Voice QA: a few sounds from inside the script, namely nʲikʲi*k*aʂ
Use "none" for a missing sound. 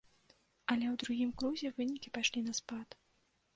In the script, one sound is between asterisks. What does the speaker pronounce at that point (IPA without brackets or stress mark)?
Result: p